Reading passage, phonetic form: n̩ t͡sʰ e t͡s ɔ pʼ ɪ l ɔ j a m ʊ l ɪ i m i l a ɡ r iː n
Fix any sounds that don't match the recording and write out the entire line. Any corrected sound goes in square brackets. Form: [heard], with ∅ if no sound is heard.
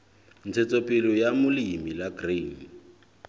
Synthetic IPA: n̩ t͡sʰ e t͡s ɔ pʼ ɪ l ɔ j a m ʊ l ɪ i m i l a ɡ r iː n